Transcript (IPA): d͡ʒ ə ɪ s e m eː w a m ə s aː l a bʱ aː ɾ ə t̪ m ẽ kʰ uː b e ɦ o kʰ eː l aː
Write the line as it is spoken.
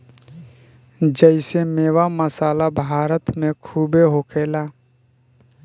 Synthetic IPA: d͡ʒ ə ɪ s e m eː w a m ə s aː l a bʱ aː ɾ ə t̪ m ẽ kʰ uː b e ɦ o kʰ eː l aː

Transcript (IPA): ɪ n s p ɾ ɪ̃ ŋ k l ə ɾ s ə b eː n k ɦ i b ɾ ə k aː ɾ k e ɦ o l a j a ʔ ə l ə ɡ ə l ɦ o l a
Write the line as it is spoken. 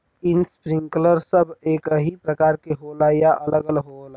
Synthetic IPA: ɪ n s p ɾ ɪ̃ ŋ k l ə ɾ s ə b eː k ɦ i p ɾ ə k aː ɾ k e ɦ o l a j a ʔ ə l ə ɡ ə l ɦ o l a

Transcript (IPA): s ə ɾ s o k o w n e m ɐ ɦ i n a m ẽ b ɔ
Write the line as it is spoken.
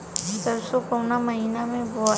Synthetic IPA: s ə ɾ s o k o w n a m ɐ ɦ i n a m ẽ b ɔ

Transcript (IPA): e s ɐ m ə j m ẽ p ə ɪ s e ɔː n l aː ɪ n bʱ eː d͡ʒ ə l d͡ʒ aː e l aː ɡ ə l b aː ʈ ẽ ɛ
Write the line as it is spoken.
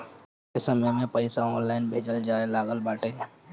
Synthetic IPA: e s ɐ m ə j m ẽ p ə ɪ s a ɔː n l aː ɪ n bʱ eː d͡ʒ ə l d͡ʒ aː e l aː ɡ ə l b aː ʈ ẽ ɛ

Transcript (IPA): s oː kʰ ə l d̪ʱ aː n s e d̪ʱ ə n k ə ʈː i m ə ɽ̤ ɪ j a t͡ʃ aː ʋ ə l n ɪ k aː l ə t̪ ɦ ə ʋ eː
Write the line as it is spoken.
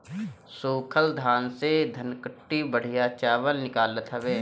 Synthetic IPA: s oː kʰ ə l d̪ʱ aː n s e d̪ʱ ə n k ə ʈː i b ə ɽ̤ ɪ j a t͡ʃ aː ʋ ə l n ɪ k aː l ə t̪ ɦ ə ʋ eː

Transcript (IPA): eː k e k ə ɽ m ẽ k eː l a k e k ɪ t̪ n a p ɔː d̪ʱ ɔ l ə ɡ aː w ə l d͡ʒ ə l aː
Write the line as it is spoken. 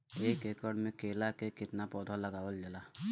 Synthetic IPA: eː k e k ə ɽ m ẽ k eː l a k e k ɪ t̪ n a p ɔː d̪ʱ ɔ l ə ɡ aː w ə l d͡ʒ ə l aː

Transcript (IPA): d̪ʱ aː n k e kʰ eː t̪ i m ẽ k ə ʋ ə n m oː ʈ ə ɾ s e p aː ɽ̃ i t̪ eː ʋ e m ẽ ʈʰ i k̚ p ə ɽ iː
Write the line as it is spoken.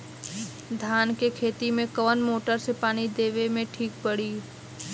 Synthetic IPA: d̪ʱ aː n k e kʰ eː t̪ i m ẽ k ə ʋ ə n m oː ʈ ə ɾ s e p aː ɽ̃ i d̪ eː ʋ e m ẽ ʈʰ iː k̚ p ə ɽ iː

